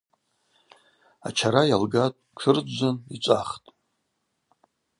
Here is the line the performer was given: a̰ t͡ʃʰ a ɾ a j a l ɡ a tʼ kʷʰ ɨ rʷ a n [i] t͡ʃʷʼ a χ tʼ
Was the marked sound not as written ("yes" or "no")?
no